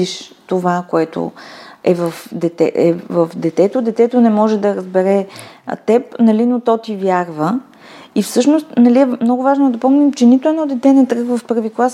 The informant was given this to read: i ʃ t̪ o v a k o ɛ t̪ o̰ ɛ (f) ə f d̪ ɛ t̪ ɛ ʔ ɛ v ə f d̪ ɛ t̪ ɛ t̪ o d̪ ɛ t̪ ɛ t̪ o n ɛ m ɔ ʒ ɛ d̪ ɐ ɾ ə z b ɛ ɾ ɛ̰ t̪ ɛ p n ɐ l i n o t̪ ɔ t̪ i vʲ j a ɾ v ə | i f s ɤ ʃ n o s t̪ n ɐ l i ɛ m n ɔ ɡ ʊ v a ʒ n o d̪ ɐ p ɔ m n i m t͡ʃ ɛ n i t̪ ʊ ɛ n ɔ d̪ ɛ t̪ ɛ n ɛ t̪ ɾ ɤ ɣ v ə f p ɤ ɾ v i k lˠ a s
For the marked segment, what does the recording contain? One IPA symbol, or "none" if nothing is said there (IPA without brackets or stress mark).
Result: v